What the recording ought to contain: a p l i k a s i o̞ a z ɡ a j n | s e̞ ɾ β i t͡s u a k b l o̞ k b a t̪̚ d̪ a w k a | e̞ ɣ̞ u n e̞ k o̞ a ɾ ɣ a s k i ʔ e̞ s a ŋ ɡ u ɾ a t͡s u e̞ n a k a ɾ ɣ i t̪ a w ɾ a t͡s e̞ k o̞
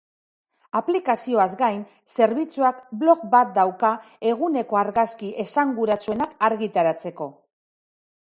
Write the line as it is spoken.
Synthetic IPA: a p l i k a s i o̞ a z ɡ a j n | s e̞ ɾ β i t͡s u a k b l o̞ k b a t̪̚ d̪ a w k a | e̞ ɣ̞ u n e̞ k o̞ a ɾ ɣ a s k i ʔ e̞ s a ŋ ɡ u ɾ a t͡s u e̞ n a k a ɾ ɣ i t̪ a ɾ a t͡s e̞ k o̞